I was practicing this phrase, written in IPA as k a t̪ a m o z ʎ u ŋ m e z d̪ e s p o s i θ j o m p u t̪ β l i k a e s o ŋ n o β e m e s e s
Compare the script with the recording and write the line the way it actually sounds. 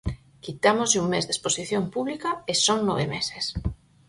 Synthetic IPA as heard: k i t̪ a m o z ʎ u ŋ m e z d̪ e s p o s i θ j o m p u β l i k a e s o ŋ n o β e m e s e s